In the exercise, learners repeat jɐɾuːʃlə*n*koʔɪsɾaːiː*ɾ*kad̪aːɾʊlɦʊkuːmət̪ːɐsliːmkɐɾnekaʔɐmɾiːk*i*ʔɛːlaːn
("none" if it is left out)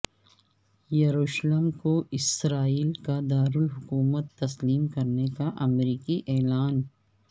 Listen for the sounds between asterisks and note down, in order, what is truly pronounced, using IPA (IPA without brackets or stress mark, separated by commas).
m, l, i